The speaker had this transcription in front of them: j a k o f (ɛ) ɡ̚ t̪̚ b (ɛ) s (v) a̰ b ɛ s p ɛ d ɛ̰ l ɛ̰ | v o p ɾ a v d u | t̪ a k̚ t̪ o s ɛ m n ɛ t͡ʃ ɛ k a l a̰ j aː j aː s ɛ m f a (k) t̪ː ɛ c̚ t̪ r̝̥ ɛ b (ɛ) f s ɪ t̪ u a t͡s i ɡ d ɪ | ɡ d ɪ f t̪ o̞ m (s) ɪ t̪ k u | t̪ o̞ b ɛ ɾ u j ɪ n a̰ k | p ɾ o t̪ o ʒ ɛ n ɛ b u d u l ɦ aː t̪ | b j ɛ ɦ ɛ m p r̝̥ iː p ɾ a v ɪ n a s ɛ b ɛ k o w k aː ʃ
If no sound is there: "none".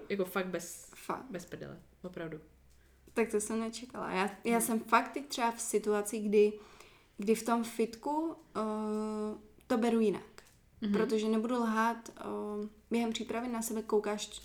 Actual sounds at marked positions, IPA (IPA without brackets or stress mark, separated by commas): a, ɛ, f, k, a, f